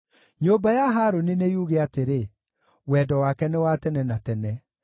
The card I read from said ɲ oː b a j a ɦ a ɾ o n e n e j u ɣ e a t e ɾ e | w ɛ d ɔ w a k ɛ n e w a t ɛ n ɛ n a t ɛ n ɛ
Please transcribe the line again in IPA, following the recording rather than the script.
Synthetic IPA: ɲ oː b a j a ɦ a ɾ o n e n e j u ɣ e a t e ɾ e | w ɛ d ɔ w a k ɛ n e w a t ɛ n ɛ n a t ɛ n ɛ